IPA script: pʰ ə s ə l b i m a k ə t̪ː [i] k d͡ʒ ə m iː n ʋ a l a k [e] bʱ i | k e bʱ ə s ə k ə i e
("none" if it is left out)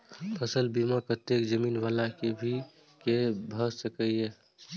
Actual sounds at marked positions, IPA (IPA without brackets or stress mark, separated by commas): e, e